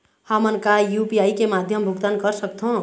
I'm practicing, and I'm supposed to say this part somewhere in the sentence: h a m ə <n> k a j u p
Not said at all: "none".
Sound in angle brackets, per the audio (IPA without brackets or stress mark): n